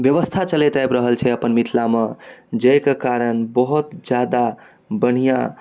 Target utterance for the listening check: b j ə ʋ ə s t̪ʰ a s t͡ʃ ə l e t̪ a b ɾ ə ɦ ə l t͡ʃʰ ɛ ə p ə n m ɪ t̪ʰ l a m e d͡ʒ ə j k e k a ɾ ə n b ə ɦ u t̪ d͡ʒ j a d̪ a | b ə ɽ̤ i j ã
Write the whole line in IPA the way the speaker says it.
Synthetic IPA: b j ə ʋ ə s t̪ʰ a t͡ʃ ə l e t̪ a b ɾ ə ɦ ə l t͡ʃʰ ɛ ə p ə n m i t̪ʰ l a m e d͡ʒ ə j k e k a ɾ ə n b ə ɦ u t̪ d͡ʒ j a d̪ a | b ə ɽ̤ i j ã